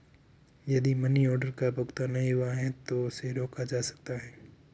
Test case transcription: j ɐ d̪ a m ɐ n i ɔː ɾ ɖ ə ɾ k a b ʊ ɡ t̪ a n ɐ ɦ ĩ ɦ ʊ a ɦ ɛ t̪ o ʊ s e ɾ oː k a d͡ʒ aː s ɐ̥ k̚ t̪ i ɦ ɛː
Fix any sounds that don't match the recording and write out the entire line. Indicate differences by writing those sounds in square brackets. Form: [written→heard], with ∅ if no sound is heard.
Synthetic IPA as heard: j ɐ d̪ [a→i] m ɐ n i ɔː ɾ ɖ ə ɾ k a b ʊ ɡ t̪ a n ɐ ɦ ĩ ɦ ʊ a ɦ ɛ t̪ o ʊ s e ɾ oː k a d͡ʒ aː s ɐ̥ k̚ t̪ [i→a] ɦ ɛː

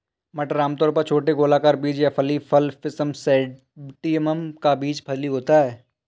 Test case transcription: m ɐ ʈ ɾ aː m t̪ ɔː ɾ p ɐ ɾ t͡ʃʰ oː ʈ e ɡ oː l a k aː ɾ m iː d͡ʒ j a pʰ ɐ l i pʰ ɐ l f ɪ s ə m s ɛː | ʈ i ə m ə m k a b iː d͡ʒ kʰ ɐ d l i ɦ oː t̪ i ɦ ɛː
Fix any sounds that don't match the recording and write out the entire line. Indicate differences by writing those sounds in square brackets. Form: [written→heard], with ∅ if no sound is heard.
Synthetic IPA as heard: m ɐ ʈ ɾ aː m t̪ ɔː ɾ p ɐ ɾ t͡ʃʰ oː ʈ e ɡ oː l a k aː ɾ [m→b] iː d͡ʒ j a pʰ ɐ l i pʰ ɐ l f ɪ s ə m s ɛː | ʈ i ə m ə m k a b iː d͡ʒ [kʰ→pʰ] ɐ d l i ɦ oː t̪ [i→a] ɦ ɛː

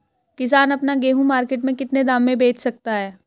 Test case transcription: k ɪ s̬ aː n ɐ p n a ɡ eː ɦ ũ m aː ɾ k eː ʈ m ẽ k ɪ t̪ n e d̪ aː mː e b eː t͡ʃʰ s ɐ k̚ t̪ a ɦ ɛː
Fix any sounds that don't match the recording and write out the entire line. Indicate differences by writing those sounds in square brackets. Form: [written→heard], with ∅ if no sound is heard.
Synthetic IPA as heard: k ɪ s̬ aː n ɐ p n a ɡ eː ɦ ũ m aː ɾ k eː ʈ m ẽ k ɪ t̪ n e d̪ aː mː [e→ẽ] b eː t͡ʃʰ s ɐ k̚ t̪ a ɦ ɛː

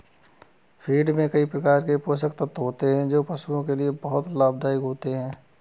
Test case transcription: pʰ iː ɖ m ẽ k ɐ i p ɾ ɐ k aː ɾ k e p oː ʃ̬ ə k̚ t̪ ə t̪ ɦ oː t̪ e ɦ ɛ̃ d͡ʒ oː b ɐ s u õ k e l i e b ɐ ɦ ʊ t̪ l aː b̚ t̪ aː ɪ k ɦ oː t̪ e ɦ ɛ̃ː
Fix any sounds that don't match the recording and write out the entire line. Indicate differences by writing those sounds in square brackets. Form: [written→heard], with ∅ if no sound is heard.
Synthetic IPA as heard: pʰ iː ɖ m ẽ k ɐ i p ɾ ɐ k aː ɾ k e p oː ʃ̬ ə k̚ t̪ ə t̪ ɦ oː t̪ e ɦ ɛ̃ d͡ʒ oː [b→p] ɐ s u õ k e l i e b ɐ ɦ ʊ t̪ l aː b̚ [t̪→d̪] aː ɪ k ɦ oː t̪ e ɦ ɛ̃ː

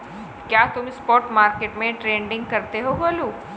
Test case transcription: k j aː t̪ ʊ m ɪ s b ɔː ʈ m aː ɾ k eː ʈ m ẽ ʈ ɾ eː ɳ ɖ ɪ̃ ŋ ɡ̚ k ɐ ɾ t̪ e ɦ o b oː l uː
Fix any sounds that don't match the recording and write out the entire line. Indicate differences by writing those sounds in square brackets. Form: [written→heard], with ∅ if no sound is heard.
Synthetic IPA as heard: k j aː t̪ ʊ m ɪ s [b→p] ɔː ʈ m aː ɾ k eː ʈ m ẽ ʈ ɾ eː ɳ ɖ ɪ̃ ŋ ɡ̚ k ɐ ɾ t̪ e ɦ o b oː l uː

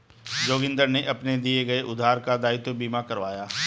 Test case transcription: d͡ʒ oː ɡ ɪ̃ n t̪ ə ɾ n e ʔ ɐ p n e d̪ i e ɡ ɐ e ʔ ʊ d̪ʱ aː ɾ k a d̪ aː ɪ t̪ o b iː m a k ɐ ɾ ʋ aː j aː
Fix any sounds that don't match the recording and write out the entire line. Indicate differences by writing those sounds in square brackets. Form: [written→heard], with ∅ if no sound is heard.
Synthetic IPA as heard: d͡ʒ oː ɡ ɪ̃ n [t̪→d̪] ə ɾ n e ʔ ɐ p n e d̪ i e ɡ ɐ e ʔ ʊ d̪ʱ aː ɾ k a d̪ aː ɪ t̪ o b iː m a k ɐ ɾ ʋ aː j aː

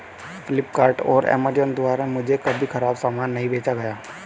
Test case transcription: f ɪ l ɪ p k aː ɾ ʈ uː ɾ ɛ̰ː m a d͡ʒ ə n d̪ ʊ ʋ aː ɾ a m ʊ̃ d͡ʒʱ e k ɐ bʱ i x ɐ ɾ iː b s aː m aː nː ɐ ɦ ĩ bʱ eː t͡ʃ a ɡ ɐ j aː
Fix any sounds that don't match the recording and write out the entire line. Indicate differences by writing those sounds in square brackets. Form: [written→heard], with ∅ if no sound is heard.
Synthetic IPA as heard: f ɪ l ɪ p k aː ɾ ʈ [uː→ɔː] ɾ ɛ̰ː m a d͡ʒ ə n d̪ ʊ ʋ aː ɾ a m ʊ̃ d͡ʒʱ e k ɐ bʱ i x ɐ ɾ [iː→aː] b s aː m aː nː ɐ ɦ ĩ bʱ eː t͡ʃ a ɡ ɐ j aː

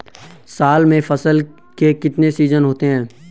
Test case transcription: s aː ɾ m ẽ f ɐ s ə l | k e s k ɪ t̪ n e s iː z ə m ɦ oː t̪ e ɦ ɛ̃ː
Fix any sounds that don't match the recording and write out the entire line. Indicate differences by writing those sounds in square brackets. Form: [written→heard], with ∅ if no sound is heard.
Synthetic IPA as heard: s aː [ɾ→l] m ẽ f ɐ s ə l | k e [s→∅] k ɪ t̪ n e s iː z ə [m→n] ɦ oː t̪ e ɦ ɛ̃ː

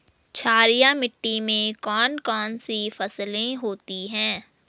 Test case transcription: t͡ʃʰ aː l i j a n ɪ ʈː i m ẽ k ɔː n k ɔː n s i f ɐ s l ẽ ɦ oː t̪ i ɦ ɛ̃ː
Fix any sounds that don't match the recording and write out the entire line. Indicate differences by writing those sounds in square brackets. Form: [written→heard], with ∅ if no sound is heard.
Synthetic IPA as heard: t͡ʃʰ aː [l→ɾ] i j a [n→m] ɪ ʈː i m ẽ k ɔː n k ɔː n s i f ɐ s l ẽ ɦ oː t̪ i ɦ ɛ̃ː

